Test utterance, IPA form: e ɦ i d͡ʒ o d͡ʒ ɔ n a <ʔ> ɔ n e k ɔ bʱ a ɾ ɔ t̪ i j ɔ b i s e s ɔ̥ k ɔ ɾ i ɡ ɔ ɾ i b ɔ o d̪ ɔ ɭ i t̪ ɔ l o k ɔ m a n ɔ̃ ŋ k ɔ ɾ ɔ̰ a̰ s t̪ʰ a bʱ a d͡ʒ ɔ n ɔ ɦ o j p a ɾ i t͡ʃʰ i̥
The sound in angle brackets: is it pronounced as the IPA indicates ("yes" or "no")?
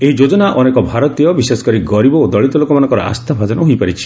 yes